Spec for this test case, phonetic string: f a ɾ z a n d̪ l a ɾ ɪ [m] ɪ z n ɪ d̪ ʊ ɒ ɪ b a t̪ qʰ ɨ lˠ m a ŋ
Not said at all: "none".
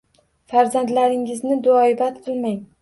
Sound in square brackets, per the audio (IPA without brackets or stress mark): ŋ